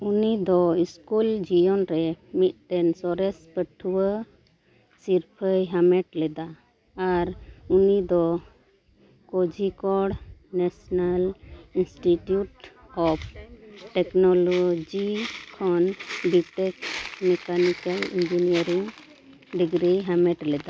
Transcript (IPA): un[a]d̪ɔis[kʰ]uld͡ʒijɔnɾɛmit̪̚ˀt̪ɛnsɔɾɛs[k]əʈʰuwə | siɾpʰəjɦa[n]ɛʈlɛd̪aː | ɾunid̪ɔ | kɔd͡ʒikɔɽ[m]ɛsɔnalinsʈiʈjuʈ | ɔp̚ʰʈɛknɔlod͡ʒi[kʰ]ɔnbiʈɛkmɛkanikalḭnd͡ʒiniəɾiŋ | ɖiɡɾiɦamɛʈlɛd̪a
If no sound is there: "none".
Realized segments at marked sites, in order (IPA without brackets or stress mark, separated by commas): i, k, p, m, n, kʰ